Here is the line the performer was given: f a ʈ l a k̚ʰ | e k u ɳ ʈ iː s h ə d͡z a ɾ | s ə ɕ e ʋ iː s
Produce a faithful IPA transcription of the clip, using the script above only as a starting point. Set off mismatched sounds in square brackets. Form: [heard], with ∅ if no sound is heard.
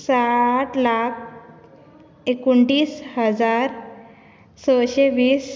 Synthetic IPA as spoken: [s] a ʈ l a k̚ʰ | e k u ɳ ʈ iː s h ə d͡z a ɾ | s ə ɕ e ʋ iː s